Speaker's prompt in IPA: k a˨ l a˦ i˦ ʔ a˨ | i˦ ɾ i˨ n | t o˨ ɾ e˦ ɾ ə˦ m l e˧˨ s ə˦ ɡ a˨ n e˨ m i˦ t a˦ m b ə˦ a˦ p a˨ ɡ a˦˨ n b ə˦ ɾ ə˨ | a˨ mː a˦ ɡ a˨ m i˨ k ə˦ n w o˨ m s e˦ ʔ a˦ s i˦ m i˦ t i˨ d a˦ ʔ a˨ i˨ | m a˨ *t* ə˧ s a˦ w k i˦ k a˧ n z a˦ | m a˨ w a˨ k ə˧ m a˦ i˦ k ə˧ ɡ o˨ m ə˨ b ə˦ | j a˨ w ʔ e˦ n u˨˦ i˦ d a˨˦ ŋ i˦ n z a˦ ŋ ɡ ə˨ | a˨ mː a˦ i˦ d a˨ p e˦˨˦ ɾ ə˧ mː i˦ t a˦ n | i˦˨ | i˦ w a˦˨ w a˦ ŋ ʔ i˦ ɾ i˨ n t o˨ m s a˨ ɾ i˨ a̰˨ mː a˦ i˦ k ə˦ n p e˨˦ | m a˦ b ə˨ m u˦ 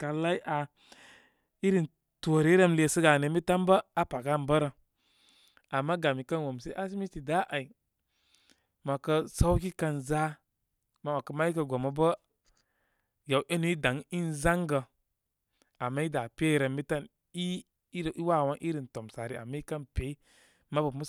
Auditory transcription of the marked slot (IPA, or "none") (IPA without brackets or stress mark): k